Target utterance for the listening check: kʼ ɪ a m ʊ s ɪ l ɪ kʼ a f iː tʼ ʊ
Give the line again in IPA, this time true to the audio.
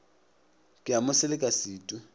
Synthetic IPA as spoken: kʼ ɪ a m ʊ s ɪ l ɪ kʼ a s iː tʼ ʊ